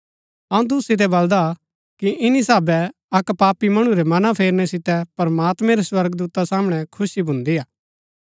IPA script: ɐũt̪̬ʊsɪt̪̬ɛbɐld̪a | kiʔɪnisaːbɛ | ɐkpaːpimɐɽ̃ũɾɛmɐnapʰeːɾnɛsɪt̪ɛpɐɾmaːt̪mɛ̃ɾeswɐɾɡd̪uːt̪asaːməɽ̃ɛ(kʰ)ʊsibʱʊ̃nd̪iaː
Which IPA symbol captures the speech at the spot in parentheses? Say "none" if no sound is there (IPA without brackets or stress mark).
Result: kʰ